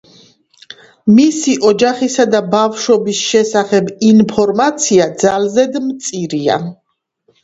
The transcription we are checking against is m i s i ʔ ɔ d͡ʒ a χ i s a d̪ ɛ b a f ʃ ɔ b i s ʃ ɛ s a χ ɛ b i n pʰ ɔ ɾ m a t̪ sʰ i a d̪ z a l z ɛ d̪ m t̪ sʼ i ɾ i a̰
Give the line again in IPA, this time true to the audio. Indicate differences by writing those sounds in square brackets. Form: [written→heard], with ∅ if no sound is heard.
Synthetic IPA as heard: m i s i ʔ ɔ d͡ʒ a χ i s a d̪ [ɛ→a] b a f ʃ ɔ b i s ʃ ɛ s a χ ɛ b i n pʰ ɔ ɾ m a t̪ sʰ i a d̪ z a l z ɛ d̪ m t̪ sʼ i ɾ i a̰

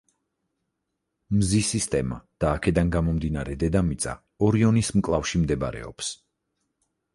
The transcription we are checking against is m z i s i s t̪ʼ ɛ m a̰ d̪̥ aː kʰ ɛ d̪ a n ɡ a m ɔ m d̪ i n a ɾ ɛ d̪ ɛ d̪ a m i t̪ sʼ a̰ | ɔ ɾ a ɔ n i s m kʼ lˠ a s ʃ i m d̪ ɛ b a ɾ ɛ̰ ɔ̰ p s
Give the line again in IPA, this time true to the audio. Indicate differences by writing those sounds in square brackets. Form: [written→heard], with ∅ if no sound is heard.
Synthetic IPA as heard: m z i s i s t̪ʼ ɛ m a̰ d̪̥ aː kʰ ɛ d̪ a n ɡ a m ɔ m d̪ i n a ɾ ɛ d̪ ɛ d̪ a m i t̪ sʼ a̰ | ɔ ɾ [a→i] ɔ n i s m kʼ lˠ a [s→f] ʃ i m d̪ ɛ b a ɾ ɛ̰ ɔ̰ p s

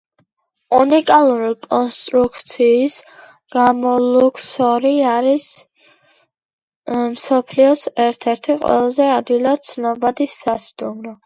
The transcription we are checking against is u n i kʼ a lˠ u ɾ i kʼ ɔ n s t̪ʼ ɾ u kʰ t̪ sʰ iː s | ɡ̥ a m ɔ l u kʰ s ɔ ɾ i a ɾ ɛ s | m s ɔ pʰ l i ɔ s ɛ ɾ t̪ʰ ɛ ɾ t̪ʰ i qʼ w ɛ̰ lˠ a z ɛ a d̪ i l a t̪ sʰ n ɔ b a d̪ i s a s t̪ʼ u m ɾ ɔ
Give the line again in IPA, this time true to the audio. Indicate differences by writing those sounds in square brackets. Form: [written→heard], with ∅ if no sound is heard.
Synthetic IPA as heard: u n i kʼ a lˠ u ɾ i kʼ ɔ n s t̪ʼ ɾ u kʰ t̪ sʰ iː s | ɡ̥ a m ɔ l u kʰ s ɔ ɾ i a ɾ [ɛ→i] s | m s ɔ pʰ l i ɔ s ɛ ɾ t̪ʰ ɛ ɾ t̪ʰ i qʼ w ɛ̰ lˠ a z ɛ a d̪ i l a t̪ sʰ n ɔ b a d̪ i s a s t̪ʼ u m ɾ ɔ

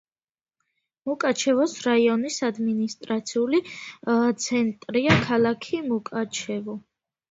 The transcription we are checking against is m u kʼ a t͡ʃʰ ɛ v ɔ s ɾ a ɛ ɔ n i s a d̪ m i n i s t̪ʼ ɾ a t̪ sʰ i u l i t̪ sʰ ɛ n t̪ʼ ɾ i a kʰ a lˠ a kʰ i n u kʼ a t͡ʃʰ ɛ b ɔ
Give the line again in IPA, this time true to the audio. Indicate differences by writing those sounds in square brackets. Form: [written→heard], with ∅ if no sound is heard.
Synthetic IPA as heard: m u kʼ a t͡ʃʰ ɛ v ɔ s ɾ a [ɛ→i] ɔ n i s a d̪ m i n i s t̪ʼ ɾ a t̪ sʰ i u l i t̪ sʰ ɛ n t̪ʼ ɾ i a kʰ a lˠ a kʰ i [n→m] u kʼ a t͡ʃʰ ɛ [b→v] ɔ

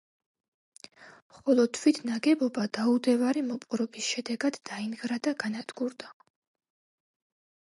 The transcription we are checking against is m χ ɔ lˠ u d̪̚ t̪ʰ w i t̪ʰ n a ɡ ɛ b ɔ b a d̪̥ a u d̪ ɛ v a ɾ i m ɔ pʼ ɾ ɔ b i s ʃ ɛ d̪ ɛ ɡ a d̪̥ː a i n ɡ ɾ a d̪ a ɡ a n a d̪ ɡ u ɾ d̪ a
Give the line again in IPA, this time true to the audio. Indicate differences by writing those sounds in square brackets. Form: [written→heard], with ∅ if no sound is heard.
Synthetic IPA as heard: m χ ɔ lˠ [u→ɔ] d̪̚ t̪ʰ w i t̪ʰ n a ɡ ɛ b ɔ b a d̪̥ a u d̪ ɛ v a ɾ i m ɔ pʼ ɾ ɔ b i s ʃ ɛ d̪ ɛ ɡ a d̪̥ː a i n ɡ ɾ a d̪ a ɡ a n a d̪ ɡ u ɾ d̪ a

